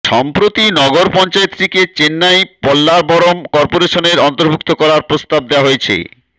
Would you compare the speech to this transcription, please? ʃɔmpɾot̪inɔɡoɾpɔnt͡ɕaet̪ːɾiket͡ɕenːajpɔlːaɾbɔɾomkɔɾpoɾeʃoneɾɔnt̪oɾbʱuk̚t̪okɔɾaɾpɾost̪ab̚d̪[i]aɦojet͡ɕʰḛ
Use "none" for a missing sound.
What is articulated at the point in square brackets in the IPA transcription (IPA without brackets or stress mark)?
e